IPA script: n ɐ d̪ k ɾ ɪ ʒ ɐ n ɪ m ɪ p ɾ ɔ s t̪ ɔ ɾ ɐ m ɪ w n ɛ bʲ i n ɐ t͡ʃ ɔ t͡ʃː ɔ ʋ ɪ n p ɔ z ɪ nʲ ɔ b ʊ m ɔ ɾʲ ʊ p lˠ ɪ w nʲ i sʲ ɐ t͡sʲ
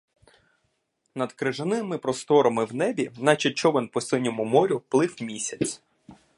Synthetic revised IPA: n ɐ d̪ k ɾ ɪ ʒ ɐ n ɪ m ɪ p ɾ ɔ s t̪ ɔ ɾ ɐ m ɪ w n ɛ bʲ i n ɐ t͡ʃ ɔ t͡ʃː ɔ ʋ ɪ n p ɔ s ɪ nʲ ɔ m ʊ m ɔ ɾʲ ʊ p lˠ ɪ w mʲ i sʲ ɐ t͡sʲ